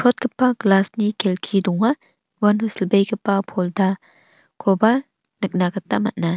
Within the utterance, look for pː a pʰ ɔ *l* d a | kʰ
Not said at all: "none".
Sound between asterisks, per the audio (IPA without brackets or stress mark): l